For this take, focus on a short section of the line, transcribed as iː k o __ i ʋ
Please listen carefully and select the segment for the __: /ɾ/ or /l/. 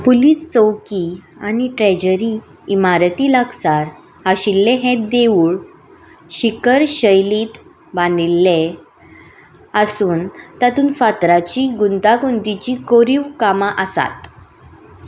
ɾ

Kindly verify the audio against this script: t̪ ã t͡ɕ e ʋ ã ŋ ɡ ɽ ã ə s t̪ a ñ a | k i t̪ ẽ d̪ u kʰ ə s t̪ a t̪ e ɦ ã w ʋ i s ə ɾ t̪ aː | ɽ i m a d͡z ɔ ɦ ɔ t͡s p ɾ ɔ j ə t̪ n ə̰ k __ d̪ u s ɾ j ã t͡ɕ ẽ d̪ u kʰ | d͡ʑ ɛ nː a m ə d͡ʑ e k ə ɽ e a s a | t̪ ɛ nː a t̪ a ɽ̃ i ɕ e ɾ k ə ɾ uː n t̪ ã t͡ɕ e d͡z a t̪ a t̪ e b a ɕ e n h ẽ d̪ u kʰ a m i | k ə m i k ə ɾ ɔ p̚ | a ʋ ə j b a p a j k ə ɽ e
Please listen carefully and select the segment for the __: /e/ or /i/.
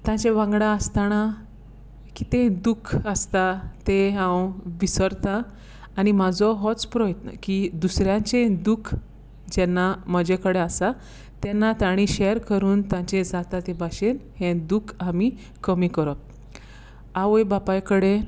i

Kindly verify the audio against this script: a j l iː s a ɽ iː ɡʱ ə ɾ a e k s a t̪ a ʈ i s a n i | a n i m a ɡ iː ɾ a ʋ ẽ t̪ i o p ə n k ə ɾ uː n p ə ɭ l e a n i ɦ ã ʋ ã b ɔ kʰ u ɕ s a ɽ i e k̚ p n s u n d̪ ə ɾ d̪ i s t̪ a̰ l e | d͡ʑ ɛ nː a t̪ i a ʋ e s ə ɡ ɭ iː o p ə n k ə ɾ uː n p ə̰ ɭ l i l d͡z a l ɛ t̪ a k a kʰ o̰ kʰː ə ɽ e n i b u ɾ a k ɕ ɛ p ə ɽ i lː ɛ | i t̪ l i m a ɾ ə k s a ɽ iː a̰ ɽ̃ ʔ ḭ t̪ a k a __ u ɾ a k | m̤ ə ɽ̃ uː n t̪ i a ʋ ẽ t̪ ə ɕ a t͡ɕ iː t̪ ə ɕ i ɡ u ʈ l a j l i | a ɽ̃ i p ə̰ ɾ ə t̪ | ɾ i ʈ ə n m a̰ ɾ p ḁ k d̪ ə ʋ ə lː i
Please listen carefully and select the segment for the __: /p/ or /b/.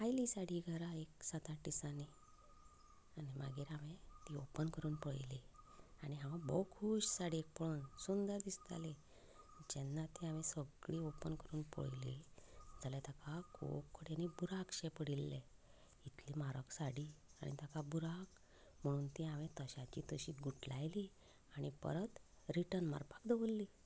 b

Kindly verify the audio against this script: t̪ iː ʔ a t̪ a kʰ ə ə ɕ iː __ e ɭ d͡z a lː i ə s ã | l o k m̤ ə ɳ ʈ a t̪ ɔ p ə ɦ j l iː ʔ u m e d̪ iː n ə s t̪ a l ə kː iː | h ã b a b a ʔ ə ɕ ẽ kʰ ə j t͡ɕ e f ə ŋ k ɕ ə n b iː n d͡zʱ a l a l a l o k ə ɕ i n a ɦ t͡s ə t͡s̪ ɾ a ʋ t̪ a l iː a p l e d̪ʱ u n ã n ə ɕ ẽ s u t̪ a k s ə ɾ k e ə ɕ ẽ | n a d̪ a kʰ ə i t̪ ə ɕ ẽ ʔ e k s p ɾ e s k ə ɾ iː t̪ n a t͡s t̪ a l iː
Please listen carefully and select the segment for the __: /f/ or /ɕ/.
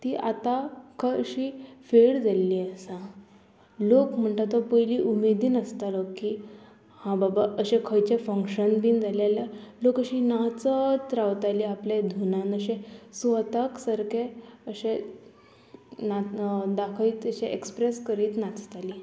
f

